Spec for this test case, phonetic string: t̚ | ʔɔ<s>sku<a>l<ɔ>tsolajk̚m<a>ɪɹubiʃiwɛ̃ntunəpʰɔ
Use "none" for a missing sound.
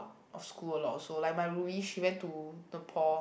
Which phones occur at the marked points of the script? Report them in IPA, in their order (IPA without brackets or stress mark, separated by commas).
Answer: f, ə, ɔ, a